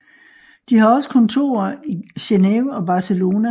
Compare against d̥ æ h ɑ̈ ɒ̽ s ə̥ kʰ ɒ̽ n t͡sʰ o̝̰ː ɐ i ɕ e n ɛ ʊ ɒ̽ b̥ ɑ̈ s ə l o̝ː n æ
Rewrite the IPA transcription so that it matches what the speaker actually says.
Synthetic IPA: d̥ i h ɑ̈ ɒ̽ s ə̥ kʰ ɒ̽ n t͡sʰ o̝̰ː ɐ i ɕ e n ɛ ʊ ɒ̽ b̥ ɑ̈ s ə l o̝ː n æ